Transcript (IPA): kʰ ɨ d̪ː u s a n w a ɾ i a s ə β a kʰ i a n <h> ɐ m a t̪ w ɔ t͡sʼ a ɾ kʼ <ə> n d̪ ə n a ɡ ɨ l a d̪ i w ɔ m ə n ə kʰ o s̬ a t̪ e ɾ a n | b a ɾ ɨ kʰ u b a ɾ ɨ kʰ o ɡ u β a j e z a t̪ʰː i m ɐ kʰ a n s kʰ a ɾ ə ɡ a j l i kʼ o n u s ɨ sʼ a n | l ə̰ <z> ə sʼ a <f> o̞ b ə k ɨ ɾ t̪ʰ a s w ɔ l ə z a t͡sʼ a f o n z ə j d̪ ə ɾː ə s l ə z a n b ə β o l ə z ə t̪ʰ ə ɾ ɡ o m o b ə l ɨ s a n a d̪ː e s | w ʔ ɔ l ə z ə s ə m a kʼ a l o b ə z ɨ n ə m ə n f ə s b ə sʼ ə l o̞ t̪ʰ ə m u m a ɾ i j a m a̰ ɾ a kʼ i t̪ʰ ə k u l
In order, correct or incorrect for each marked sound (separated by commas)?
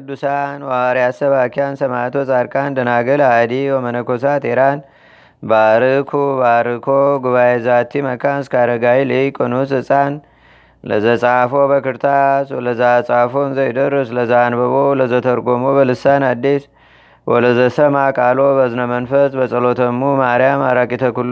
incorrect, incorrect, correct, correct